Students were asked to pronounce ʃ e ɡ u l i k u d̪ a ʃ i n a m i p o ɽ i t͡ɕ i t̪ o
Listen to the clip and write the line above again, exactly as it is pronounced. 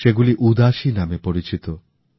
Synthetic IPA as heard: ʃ e ɡ u l i ʔ u d̪ a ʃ i n a m e p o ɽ i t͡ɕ i t̪ o